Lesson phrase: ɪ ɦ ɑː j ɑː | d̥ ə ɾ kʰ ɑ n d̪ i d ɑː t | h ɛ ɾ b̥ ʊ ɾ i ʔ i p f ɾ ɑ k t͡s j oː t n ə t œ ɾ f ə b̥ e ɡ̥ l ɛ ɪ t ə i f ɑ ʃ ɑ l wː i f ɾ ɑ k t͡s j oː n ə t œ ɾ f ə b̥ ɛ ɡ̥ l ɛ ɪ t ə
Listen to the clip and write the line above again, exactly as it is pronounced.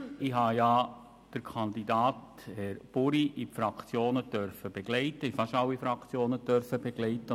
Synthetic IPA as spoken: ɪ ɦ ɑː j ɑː | d̥ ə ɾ kʰ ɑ n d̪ i d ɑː t | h ɛ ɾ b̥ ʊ ɾ i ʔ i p f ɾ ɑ k t͡s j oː n ə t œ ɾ f ə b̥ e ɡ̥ l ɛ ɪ t ə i f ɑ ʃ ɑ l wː i f ɾ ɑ k t͡s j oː n ə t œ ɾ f ə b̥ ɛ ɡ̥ l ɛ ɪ t ə